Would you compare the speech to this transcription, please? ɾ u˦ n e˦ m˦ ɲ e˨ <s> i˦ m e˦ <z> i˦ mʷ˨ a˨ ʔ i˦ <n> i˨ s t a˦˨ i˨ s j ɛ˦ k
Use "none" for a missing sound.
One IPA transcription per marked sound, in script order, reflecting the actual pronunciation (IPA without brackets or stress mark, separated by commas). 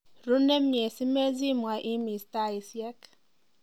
s, z, m